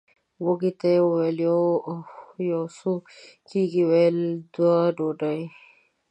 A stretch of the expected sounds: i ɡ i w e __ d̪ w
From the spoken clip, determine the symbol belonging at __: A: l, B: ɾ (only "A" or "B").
A